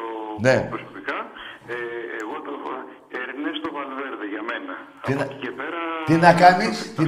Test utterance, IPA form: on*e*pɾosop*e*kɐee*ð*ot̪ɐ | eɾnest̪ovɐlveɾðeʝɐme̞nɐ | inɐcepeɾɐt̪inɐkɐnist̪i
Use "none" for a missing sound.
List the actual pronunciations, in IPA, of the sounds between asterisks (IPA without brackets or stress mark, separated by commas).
e, i, ɣ